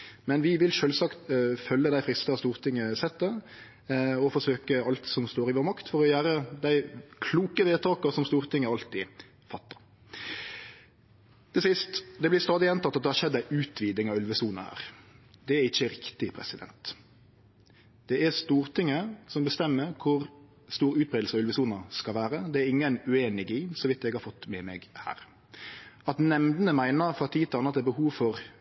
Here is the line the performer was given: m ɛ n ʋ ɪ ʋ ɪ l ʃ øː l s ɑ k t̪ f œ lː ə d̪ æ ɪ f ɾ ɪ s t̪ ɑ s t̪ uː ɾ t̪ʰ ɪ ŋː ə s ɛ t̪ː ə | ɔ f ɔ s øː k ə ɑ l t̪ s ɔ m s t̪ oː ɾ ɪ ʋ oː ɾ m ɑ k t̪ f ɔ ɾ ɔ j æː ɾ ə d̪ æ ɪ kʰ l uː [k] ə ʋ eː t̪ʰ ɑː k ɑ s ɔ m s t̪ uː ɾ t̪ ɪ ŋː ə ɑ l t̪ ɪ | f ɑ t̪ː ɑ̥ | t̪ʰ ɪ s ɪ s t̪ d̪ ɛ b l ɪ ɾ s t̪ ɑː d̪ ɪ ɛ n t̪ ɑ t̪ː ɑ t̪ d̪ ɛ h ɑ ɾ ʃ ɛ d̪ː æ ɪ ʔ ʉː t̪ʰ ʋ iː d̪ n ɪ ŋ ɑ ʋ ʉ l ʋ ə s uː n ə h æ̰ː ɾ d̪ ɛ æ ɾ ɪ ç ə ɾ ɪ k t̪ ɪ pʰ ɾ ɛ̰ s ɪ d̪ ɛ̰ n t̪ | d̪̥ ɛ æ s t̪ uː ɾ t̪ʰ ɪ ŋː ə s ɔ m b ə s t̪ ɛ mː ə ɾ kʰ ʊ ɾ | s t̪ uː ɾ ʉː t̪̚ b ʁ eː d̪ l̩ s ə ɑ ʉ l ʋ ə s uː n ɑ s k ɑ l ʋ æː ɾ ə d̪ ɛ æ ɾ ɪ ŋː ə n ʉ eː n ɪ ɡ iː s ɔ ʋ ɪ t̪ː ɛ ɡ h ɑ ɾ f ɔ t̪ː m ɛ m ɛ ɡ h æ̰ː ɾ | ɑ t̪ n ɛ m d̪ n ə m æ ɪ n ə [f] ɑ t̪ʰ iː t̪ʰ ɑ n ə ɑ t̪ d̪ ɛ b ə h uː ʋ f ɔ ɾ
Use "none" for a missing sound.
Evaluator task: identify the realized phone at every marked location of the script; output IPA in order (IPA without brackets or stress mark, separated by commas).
k, f